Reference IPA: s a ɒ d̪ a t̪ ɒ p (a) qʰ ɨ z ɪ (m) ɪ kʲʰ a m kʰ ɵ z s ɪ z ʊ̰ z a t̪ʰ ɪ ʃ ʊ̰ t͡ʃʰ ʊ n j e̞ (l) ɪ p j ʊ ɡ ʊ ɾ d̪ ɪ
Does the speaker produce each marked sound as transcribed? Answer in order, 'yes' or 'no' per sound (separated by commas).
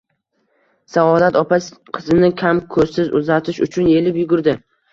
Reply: yes, no, yes